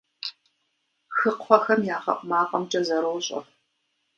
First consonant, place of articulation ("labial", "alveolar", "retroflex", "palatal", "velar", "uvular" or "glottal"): velar